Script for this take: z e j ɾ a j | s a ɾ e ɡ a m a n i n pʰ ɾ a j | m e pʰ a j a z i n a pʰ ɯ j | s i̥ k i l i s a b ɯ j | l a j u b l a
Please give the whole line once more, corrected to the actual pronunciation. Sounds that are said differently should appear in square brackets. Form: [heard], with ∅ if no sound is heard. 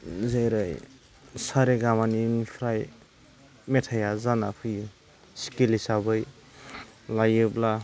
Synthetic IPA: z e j ɾ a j | s a ɾ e ɡ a m a n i n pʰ ɾ a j | m e [tʰ] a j a z [a] n a pʰ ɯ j | s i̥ k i l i s a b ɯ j | l a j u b l a

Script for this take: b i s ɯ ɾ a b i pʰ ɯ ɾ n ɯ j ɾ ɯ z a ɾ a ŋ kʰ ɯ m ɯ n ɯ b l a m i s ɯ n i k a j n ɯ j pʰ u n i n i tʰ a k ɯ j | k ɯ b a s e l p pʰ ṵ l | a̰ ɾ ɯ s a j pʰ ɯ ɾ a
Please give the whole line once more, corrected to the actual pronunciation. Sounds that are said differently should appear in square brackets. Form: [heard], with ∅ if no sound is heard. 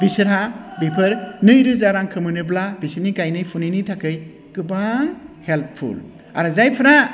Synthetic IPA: b i s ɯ ɾ a b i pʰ ɯ ɾ n ɯ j ɾ ɯ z a ɾ a ŋ kʰ ɯ m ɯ n ɯ b l a [b] i s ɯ n i k a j n ɯ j pʰ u n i n i tʰ a k ɯ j | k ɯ b a [h] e l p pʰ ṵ l | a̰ ɾ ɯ [z] a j pʰ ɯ ɾ a

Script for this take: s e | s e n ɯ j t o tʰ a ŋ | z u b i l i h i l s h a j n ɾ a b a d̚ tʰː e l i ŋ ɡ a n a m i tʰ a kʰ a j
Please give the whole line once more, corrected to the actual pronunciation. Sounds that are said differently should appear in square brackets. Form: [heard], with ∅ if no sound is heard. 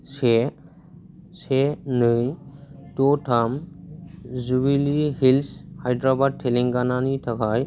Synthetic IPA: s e | s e n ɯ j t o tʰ a [m] | z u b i l i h i l s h a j [d] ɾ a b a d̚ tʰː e l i ŋ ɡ a n a [n] i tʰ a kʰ a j

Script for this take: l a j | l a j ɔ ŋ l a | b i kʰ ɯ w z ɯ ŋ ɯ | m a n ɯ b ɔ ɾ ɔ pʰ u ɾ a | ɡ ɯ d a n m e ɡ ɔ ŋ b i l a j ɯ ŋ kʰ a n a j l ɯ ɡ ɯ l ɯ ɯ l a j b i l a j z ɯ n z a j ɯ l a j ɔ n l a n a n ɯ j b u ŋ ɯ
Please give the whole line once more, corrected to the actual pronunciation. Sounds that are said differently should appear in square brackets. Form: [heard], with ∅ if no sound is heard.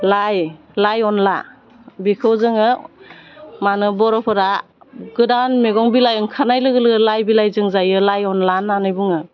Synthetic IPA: l a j | l a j ɔ [n] l a | b i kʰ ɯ w z ɯ ŋ ɯ | m a n ɯ b ɔ ɾ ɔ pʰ [ɯ] ɾ a | ɡ ɯ d a n m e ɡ ɔ ŋ b i l a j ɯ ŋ kʰ a n a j l ɯ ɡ ɯ l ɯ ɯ l a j b i l a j z ɯ [ŋ] z a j ɯ l a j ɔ n l a n a n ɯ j b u ŋ ɯ

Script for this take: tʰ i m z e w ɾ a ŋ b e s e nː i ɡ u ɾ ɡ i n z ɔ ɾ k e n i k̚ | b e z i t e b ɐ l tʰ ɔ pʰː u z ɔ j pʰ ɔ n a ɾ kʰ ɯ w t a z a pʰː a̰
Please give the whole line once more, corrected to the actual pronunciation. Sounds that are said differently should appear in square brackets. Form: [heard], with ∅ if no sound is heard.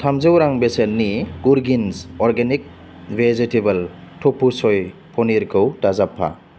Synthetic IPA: tʰ [a] m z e w ɾ a ŋ b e s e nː i ɡ u ɾ ɡ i n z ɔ ɾ [ɡ] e n i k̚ | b e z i t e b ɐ l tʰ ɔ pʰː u [s] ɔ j pʰ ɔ n [i] ɾ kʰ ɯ w t a z a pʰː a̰

